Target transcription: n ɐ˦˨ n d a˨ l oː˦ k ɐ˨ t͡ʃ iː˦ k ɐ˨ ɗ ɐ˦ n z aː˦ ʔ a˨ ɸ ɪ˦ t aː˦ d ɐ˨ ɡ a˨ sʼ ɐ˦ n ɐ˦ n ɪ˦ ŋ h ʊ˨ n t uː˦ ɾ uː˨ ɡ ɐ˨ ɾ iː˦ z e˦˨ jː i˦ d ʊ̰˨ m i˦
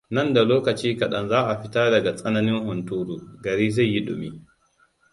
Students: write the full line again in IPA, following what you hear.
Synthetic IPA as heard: n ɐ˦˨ n d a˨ l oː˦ k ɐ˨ t͡ʃ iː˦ k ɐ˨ ɗ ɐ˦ n z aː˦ ʔ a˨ ɸ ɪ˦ t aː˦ d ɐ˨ ɡ a˨ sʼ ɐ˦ n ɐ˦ n ɪ˦ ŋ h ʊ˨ n t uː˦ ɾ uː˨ ɡ ɐ˨ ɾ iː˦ z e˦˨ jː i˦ ɗ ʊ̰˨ m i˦